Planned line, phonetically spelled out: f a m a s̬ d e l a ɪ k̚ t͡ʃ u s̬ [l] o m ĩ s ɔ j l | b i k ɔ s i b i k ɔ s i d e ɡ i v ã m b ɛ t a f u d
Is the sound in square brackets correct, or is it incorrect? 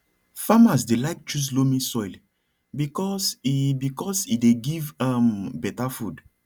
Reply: correct